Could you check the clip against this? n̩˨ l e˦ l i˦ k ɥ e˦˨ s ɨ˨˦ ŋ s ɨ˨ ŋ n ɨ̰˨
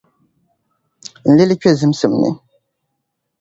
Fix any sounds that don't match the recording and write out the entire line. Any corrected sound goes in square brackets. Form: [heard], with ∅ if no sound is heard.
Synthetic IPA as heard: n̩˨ l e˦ l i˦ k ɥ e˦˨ [z] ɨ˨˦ [m] s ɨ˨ [m] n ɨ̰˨